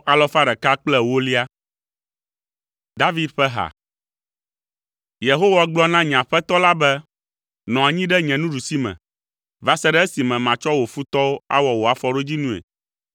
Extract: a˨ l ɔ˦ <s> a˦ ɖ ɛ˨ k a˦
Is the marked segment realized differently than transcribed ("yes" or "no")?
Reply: yes